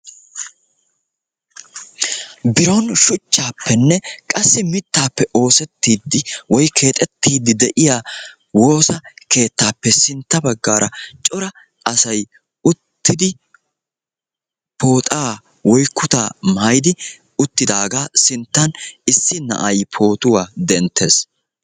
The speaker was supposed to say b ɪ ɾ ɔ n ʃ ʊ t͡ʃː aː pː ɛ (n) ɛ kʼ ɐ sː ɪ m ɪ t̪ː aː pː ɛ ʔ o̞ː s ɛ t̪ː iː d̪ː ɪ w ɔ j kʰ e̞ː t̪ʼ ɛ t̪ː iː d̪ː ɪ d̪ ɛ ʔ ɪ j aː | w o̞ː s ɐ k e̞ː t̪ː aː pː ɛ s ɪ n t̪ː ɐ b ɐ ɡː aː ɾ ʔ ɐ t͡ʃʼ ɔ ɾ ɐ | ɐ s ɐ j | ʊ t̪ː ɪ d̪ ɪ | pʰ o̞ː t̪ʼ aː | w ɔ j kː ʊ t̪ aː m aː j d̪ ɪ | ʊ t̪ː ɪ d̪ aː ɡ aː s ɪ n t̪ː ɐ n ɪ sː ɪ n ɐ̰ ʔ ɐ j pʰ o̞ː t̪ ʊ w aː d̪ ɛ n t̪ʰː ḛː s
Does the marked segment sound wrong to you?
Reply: yes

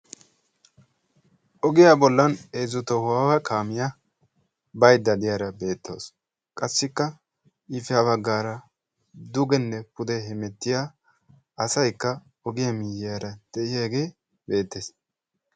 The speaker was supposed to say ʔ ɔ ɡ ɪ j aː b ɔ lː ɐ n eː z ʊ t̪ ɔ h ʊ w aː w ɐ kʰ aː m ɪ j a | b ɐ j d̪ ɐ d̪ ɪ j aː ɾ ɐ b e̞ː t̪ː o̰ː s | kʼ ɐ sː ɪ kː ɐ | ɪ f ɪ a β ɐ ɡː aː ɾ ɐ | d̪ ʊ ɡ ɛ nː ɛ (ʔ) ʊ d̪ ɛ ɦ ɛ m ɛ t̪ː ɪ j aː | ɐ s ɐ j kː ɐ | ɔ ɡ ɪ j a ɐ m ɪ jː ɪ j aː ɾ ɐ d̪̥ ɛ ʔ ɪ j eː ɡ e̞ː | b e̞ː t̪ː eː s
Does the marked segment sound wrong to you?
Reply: yes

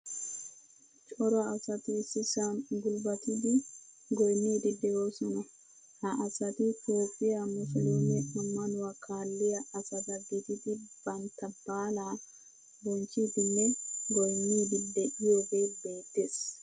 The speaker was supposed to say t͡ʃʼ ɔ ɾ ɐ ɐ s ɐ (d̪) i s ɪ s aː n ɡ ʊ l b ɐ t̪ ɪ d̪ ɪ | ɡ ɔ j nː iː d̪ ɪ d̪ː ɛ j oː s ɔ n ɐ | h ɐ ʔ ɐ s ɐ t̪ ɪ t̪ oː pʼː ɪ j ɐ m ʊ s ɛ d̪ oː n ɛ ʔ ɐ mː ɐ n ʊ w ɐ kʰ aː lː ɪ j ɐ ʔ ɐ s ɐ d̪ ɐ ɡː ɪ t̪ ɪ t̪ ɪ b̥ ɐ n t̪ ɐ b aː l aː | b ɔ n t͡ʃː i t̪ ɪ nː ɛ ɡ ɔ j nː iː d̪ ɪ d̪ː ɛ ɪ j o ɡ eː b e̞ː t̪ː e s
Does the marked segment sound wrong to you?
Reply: yes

